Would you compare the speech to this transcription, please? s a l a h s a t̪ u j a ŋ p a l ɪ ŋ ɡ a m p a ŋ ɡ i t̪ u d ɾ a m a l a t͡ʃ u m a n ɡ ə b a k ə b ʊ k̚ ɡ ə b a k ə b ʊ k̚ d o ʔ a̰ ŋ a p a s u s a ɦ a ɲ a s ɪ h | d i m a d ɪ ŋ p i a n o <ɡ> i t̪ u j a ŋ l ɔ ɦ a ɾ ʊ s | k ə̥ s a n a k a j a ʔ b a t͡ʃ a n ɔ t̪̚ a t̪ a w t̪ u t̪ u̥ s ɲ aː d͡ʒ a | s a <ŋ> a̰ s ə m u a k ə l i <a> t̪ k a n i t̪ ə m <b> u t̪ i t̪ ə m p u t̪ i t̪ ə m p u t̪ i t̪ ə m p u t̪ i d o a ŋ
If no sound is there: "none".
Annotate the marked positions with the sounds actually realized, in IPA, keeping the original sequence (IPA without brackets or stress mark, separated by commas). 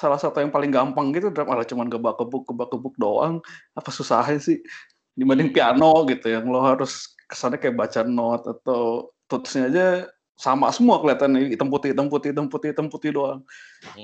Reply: ɡ, m, a, p